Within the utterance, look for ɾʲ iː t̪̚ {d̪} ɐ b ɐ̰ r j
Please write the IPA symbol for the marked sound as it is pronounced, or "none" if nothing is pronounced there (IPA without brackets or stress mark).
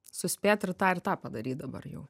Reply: d̪